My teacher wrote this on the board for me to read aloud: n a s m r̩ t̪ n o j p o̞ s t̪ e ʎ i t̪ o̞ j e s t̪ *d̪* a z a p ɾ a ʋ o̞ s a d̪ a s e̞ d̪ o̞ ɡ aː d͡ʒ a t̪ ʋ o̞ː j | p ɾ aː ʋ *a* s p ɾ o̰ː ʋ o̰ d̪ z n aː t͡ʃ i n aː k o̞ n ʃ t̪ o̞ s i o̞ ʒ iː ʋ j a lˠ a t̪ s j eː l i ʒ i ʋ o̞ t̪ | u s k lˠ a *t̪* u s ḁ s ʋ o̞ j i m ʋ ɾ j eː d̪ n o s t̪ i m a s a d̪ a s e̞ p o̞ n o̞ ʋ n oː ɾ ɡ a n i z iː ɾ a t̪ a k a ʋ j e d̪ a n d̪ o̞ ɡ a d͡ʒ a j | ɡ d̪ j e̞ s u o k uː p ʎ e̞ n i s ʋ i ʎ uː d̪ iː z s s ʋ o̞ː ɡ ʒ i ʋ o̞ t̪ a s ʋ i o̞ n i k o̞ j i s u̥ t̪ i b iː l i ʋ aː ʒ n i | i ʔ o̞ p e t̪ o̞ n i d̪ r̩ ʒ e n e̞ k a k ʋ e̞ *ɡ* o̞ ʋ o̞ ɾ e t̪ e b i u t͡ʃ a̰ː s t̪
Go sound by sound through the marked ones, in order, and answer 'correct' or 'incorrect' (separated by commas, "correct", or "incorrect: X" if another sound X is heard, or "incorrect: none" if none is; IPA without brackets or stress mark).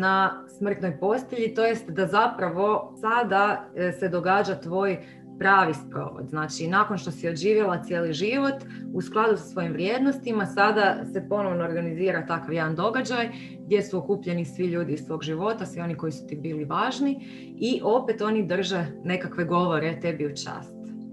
correct, incorrect: i, incorrect: d̪, correct